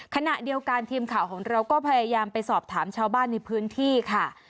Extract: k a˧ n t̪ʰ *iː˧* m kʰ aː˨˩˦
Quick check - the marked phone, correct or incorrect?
correct